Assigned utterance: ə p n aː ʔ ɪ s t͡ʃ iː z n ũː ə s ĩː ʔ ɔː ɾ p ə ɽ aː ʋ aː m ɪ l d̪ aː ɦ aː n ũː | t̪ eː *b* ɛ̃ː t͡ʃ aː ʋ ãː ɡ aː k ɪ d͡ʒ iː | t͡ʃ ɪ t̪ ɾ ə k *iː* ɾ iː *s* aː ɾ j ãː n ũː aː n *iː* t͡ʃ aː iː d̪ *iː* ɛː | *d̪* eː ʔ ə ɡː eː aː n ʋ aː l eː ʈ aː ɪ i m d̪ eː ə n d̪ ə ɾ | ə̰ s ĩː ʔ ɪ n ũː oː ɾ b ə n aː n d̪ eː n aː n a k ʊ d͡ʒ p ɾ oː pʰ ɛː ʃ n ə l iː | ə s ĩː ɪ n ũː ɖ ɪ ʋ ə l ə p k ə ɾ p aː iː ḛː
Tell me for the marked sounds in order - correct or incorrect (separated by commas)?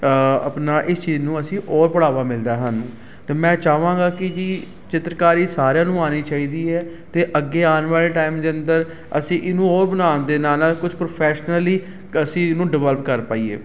incorrect, incorrect, correct, correct, correct, incorrect